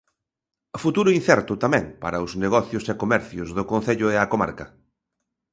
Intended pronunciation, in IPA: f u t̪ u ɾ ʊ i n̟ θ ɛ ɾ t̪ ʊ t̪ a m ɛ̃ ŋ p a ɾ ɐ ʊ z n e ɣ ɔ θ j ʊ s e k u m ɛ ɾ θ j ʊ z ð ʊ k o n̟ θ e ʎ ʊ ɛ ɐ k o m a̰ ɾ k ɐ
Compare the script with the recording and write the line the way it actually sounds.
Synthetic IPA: f u t̪ u ɾ ʊ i n̟ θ ɛ ɾ t̪ ʊ t̪ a m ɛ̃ ŋ p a ɾ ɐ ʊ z n e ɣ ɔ θ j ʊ s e k o m ɛ ɾ θ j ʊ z ð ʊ k o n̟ θ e ʎ ʊ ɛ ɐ k o m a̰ ɾ k ɐ